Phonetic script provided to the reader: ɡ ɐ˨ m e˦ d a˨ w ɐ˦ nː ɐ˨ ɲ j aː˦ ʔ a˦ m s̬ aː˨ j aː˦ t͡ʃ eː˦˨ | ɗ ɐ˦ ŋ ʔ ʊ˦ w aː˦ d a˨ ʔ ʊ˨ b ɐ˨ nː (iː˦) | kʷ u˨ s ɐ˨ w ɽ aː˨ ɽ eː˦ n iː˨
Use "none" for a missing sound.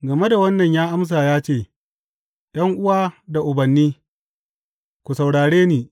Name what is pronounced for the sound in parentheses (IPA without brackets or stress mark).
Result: iː˦